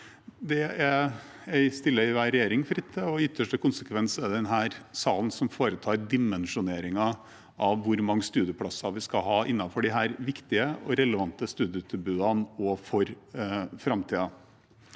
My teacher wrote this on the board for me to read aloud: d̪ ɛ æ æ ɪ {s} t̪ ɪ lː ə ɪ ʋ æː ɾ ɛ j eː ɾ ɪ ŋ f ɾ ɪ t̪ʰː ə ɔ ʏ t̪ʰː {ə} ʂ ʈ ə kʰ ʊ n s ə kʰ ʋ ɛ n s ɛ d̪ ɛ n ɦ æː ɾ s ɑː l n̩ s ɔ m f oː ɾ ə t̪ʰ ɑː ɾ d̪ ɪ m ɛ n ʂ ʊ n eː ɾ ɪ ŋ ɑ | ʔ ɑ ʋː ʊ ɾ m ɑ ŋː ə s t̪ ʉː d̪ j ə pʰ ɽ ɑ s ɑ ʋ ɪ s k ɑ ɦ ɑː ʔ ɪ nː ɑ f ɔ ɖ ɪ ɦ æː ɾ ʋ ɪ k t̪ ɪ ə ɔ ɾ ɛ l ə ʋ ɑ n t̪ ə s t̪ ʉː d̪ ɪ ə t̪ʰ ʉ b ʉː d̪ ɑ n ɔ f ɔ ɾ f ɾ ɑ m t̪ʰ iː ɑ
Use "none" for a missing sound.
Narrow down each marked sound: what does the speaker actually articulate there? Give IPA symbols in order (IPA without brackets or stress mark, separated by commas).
s, ə